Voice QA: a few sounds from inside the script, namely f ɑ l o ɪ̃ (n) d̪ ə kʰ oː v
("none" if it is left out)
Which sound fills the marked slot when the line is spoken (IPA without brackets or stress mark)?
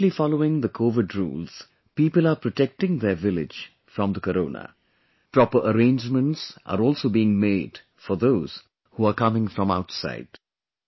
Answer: ŋ